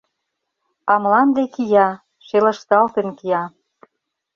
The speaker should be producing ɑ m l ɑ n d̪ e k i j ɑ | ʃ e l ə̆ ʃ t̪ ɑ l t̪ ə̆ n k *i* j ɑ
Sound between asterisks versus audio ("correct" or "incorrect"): correct